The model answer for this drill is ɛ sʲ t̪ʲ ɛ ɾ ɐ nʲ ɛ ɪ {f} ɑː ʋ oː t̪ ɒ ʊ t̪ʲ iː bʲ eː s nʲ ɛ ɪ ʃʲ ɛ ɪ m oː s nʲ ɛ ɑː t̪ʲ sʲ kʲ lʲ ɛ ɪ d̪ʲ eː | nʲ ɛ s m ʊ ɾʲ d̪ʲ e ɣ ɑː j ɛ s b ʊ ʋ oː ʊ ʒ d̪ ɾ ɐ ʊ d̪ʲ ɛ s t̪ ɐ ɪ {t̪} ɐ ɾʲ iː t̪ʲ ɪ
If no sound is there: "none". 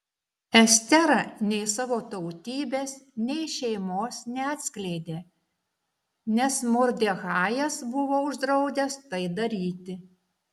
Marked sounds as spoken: s, d̪

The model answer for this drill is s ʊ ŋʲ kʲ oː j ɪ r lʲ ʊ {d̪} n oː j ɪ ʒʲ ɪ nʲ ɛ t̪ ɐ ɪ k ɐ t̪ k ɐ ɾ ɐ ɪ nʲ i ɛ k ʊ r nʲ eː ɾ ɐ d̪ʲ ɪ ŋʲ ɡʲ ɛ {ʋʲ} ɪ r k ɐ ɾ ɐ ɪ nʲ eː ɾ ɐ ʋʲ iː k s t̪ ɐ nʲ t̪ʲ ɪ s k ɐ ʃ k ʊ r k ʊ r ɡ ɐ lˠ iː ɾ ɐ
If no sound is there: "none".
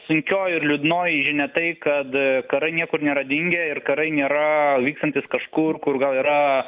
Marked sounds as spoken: d̪, none

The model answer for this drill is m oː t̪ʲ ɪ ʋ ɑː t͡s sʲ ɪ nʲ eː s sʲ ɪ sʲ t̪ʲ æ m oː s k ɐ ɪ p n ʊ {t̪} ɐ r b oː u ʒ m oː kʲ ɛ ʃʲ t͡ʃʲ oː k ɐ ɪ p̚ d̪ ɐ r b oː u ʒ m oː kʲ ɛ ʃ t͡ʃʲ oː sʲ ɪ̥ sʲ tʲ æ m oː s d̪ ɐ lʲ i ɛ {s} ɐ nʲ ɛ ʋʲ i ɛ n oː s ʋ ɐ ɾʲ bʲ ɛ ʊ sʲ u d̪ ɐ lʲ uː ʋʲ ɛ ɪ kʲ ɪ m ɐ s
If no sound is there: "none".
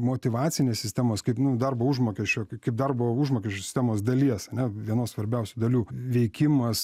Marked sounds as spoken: d̪, s

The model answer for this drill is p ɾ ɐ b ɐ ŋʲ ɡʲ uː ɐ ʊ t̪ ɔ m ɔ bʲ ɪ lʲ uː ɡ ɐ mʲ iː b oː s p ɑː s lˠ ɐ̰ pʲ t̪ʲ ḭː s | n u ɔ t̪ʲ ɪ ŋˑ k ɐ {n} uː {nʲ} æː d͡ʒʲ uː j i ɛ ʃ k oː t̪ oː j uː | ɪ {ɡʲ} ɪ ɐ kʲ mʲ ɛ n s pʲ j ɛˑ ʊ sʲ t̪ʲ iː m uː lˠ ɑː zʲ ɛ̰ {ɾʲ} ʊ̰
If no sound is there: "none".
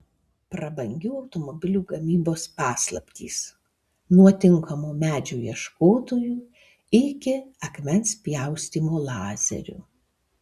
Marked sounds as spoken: m, mʲ, kʲ, ɾʲ

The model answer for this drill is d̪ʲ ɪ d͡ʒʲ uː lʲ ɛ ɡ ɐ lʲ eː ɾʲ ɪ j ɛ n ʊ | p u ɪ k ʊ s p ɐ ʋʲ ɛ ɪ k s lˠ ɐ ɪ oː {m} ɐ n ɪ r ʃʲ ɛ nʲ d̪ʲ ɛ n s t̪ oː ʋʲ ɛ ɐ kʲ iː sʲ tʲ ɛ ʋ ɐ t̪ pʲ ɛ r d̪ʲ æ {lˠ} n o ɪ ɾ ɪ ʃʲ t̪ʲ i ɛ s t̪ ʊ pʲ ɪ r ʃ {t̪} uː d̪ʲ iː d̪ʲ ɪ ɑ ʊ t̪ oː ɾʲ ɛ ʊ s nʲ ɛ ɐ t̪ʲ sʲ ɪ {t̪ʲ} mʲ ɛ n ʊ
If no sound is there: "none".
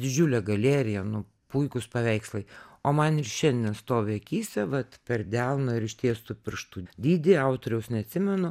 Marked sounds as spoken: m, lˠ, t̪, none

